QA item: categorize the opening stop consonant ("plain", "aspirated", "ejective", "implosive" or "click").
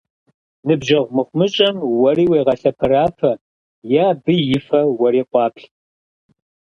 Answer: plain